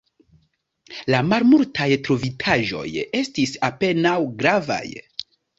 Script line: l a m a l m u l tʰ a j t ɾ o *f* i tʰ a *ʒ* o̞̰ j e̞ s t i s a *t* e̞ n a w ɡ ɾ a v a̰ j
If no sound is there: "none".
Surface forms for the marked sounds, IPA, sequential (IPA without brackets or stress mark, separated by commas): v, ʒ, p